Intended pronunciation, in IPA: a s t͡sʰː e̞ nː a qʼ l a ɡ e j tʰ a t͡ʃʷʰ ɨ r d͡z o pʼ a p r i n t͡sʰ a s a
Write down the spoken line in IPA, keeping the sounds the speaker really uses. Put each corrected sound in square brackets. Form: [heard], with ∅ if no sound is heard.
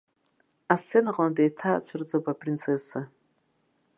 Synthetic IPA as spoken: a s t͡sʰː e̞ [n] a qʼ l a [d] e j tʰ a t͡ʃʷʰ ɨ r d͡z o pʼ a p r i n t͡sʰ [e] s a